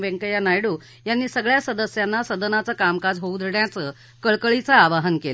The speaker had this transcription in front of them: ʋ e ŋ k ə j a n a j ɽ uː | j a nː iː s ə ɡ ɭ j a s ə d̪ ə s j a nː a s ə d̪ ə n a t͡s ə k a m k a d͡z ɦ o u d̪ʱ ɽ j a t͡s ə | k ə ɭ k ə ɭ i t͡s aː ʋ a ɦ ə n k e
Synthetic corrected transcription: ʋ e ŋ k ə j a n a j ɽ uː | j a nː iː s ə ɡ ɭ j a s ə d̪ ə s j a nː a s ə d̪ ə n a t͡s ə k a m k a d͡z ɦ o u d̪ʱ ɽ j a t͡s ə | k ə ɭ k ə ɭ i t͡s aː ʋ a ɦ ə n k e